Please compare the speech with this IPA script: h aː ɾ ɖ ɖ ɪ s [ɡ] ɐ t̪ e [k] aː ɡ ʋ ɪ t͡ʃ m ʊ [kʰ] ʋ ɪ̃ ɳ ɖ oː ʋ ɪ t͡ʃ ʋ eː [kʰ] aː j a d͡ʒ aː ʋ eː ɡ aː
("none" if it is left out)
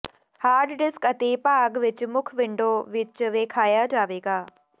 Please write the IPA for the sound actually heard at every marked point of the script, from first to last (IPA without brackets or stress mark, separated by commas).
k, p, kʰ, kʰ